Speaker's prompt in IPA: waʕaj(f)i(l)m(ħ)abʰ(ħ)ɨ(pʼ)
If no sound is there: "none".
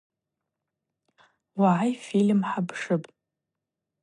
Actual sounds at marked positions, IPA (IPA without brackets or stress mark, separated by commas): f, l, ħ, ʂ, pʼ